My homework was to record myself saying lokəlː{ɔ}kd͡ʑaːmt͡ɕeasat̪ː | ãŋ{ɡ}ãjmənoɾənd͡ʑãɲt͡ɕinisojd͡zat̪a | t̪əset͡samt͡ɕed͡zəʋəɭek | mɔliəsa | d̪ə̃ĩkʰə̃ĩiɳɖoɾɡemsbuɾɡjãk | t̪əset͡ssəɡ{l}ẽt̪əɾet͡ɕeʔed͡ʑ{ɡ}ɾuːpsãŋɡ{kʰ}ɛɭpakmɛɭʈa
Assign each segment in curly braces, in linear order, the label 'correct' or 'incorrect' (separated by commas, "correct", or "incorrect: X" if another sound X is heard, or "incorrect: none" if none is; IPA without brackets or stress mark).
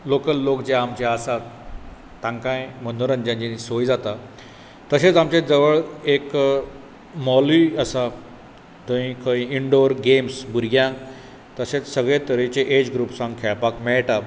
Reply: incorrect: o, incorrect: k, incorrect: ɭ, correct, correct